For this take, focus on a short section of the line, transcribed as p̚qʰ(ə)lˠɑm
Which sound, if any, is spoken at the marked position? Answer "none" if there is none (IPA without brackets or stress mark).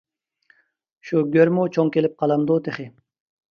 ɑ